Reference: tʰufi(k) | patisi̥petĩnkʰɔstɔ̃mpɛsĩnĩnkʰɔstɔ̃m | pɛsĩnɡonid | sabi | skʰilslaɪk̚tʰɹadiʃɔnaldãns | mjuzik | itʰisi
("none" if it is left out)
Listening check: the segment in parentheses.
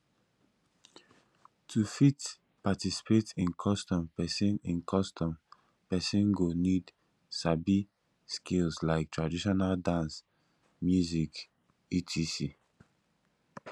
t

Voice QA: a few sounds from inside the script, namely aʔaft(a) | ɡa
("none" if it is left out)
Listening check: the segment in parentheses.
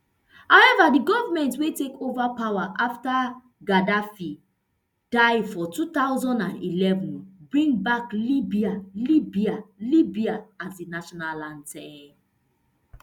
a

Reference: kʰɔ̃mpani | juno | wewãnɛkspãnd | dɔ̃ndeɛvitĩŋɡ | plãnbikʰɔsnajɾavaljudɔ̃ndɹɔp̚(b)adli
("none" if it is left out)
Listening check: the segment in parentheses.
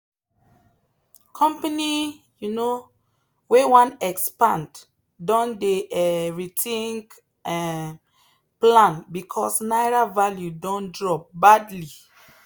b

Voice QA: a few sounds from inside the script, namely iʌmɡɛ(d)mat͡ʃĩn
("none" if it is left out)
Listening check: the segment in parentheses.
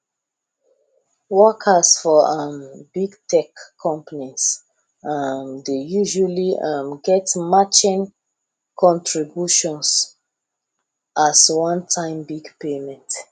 t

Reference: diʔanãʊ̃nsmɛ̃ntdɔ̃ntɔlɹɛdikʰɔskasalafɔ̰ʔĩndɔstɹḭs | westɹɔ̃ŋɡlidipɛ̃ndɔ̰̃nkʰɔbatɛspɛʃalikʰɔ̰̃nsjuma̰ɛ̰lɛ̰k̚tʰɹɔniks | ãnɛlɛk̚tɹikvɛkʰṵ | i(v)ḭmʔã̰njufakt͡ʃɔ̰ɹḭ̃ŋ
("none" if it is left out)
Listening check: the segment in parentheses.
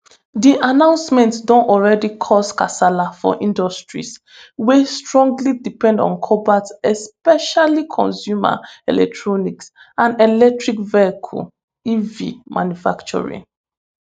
v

